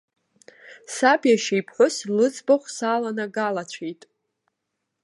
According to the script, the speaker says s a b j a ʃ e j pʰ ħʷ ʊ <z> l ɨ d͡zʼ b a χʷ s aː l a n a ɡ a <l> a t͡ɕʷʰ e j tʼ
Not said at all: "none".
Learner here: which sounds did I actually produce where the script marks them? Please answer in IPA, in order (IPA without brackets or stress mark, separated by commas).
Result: s, l